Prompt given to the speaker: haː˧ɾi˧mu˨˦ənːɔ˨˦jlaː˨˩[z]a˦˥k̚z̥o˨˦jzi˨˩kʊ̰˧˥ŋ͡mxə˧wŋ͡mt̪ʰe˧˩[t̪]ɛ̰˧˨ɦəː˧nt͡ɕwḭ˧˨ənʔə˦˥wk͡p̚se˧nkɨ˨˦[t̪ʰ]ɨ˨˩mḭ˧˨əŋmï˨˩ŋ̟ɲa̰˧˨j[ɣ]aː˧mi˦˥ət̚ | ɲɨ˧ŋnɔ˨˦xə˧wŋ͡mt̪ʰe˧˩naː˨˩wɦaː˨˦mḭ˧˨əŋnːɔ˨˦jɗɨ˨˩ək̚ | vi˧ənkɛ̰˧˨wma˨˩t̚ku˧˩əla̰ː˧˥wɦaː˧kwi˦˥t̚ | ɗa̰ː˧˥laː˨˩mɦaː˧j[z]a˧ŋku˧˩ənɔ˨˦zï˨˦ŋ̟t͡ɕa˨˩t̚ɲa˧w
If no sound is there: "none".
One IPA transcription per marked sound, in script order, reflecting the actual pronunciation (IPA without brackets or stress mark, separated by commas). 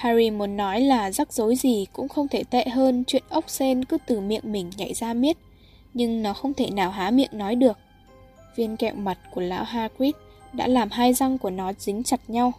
z, t̪, t̪, z, z